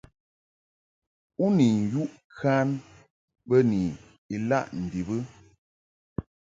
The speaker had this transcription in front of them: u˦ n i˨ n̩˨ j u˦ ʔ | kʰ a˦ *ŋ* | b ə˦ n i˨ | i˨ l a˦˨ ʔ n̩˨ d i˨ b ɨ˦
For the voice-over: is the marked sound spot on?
no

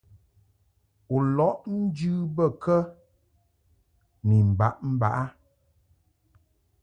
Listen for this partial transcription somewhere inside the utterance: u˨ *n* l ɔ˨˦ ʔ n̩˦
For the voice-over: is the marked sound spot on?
no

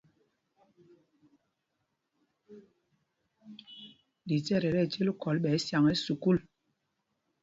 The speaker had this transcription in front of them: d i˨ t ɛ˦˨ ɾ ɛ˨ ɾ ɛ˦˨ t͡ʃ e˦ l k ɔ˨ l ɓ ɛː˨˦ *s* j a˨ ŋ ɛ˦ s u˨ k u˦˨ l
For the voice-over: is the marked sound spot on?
yes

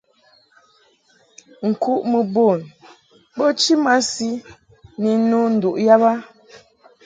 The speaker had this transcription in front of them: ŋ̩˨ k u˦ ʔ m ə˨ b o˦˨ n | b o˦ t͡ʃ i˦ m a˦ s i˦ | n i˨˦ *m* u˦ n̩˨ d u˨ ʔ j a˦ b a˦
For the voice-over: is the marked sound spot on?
no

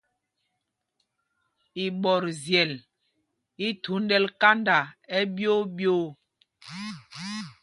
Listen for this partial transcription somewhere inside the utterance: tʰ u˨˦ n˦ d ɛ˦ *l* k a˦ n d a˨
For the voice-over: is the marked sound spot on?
yes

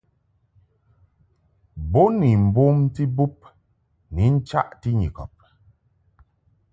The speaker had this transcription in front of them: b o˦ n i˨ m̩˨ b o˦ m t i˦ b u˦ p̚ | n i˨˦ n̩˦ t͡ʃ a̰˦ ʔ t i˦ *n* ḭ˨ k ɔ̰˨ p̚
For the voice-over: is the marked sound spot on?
no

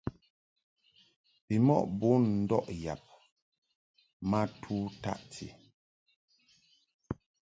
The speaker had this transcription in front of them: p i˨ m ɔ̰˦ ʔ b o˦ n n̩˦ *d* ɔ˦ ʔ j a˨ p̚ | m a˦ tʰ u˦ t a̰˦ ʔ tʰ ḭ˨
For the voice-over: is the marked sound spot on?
yes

